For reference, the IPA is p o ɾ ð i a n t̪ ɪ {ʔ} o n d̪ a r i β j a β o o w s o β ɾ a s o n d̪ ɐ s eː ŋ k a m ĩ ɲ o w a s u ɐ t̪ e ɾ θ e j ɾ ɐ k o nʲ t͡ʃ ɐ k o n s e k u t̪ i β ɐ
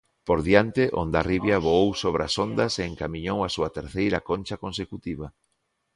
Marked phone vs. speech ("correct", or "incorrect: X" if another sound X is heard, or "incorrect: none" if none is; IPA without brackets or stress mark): correct